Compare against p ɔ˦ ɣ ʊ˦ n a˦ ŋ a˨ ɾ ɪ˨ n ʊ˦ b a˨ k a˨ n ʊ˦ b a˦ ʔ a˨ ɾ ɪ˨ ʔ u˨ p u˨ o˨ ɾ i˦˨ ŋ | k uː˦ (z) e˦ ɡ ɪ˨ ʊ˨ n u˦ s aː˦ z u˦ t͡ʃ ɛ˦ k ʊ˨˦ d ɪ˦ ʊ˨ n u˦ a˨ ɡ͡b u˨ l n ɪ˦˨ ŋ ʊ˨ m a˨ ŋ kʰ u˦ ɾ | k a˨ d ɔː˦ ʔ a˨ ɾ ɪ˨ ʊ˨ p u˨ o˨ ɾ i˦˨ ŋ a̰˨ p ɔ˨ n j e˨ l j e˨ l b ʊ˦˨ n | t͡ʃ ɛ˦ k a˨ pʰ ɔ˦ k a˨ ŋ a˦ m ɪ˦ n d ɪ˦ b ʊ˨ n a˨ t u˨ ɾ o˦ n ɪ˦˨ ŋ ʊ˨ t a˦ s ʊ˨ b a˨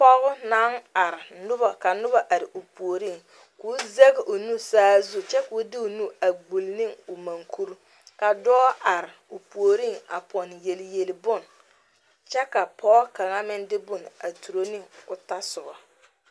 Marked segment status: correct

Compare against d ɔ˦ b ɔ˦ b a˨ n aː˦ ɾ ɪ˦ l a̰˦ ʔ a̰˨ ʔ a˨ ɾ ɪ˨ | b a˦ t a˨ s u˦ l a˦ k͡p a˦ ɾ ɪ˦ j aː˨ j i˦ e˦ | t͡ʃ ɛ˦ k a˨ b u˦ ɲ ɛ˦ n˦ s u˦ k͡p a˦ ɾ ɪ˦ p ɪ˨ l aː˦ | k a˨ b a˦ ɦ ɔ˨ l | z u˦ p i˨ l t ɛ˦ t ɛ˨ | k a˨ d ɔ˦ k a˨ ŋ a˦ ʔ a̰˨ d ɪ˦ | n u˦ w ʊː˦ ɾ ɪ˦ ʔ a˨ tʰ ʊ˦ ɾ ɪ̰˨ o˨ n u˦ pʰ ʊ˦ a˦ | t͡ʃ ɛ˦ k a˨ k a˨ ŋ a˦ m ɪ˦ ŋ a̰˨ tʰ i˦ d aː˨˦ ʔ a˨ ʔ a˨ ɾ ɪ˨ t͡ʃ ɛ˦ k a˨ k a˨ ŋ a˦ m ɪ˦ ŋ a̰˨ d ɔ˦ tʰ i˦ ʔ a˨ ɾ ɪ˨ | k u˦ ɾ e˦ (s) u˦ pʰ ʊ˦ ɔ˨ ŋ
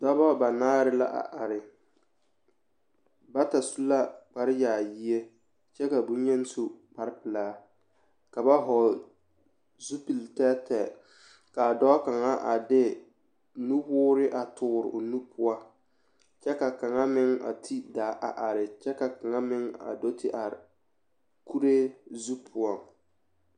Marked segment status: incorrect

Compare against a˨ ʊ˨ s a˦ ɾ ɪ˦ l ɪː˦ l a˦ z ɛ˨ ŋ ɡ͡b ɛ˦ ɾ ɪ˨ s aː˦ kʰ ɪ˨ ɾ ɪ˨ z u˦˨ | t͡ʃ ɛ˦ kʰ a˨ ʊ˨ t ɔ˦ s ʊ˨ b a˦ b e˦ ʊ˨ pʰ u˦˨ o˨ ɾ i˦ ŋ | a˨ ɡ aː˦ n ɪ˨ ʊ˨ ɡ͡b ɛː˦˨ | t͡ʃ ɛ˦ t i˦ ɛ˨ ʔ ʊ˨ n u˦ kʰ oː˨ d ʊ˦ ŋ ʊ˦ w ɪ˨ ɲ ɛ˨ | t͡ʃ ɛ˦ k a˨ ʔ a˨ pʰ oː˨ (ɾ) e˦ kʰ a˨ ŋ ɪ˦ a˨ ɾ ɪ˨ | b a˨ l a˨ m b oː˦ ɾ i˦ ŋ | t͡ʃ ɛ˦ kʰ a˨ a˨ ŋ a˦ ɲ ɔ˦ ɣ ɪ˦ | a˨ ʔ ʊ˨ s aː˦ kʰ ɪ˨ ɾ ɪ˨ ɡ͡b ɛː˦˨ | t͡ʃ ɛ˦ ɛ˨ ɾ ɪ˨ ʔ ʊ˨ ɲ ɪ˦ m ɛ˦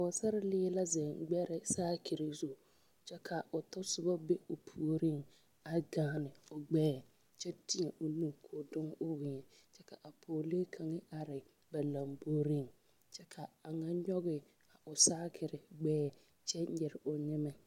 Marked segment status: incorrect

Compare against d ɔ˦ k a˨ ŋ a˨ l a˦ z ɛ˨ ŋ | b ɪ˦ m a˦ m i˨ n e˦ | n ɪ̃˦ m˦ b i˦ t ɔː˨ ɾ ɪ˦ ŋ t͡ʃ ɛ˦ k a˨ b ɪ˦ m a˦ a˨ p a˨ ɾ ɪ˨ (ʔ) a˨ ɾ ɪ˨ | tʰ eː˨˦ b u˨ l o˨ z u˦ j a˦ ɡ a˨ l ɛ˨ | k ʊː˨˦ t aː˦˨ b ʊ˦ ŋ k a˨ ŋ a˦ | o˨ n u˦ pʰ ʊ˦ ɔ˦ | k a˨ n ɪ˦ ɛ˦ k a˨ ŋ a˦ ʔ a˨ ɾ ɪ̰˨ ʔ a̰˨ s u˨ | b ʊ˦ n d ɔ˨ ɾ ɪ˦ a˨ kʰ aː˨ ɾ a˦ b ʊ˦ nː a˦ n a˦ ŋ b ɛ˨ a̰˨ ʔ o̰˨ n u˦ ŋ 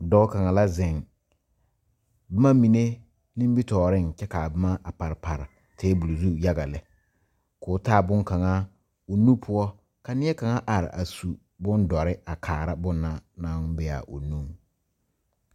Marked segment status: incorrect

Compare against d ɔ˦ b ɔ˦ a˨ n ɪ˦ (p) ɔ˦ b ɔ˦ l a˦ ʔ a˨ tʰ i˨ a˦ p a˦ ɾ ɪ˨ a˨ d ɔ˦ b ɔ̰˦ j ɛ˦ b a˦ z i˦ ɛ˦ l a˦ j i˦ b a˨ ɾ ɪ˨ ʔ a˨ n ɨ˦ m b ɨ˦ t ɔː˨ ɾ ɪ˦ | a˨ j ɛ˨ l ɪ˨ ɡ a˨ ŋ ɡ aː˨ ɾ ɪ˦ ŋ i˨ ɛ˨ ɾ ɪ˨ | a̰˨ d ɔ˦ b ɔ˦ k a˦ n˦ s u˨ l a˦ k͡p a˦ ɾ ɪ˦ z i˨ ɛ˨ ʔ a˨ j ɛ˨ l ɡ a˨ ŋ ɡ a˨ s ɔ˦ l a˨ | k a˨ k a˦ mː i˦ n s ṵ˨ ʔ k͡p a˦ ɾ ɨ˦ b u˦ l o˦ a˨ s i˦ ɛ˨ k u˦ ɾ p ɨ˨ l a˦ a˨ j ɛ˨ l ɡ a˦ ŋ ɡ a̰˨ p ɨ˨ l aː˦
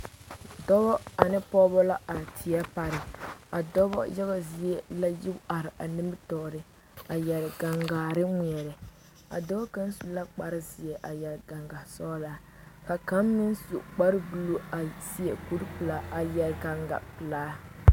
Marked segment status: correct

